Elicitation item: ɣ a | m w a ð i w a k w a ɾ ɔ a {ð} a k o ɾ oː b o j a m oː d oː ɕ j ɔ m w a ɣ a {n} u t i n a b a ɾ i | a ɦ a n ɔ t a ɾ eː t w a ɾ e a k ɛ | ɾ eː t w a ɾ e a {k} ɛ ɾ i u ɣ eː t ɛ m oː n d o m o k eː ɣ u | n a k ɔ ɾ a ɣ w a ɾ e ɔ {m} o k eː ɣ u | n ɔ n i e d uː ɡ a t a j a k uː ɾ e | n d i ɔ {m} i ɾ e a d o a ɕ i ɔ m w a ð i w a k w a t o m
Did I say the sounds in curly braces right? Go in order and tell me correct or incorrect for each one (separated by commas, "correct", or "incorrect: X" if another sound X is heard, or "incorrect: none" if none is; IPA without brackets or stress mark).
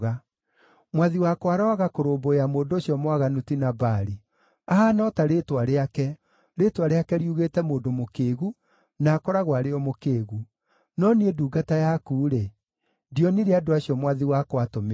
incorrect: ɣ, correct, correct, correct, incorrect: n